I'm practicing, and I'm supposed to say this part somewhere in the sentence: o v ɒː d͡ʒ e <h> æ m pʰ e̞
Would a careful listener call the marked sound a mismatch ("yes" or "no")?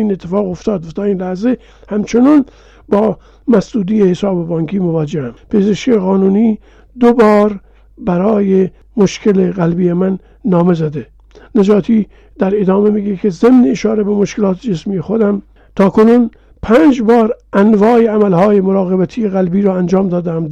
no